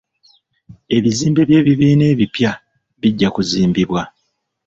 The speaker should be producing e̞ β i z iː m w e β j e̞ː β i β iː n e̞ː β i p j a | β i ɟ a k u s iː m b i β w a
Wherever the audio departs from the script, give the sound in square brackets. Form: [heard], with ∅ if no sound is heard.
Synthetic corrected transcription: e̞ β i z iː m [b] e β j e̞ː β i β iː n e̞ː β i p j a | β i [ɟː] a k u [z] iː m b i β w a